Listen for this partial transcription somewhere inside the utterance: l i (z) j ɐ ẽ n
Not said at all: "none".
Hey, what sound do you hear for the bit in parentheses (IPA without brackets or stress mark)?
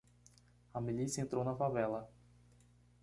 s